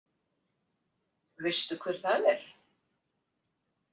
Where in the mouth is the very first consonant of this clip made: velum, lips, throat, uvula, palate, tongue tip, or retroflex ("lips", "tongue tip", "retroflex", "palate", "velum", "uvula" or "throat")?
lips